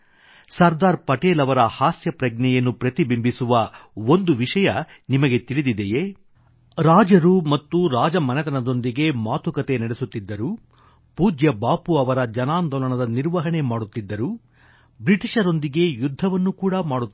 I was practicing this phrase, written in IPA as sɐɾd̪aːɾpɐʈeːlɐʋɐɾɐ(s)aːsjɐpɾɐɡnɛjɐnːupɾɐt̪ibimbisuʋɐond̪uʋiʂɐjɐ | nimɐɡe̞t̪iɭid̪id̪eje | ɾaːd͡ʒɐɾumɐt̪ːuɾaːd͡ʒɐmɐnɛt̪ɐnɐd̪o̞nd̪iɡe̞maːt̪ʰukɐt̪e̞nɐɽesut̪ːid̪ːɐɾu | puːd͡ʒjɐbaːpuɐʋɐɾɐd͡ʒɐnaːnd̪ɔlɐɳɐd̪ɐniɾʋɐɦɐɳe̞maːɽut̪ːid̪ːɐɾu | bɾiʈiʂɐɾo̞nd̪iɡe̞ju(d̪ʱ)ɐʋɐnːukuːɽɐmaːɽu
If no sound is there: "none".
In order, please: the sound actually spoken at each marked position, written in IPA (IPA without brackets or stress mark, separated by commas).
h, d̪ʱː